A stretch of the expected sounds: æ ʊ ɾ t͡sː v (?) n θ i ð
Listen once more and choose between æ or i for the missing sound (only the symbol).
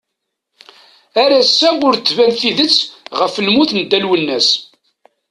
æ